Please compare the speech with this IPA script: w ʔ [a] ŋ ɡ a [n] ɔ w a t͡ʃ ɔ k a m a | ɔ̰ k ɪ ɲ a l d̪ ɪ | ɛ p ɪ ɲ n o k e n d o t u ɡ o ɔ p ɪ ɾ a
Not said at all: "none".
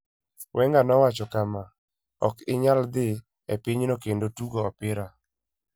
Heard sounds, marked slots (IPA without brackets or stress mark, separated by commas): ɛ, n